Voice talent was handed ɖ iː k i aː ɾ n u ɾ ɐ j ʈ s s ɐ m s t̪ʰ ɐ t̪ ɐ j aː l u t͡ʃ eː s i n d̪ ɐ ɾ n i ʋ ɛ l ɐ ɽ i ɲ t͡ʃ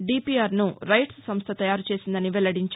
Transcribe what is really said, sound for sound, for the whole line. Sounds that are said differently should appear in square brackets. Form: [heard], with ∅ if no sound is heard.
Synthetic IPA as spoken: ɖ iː [p] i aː ɾ n u ɾ ɐ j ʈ s s ɐ m s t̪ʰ ɐ t̪ ɐ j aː [ɾ] u t͡ʃ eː s i n d̪ ɐ [∅] n i ʋ ɛ l ɐ ɽ i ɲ t͡ʃ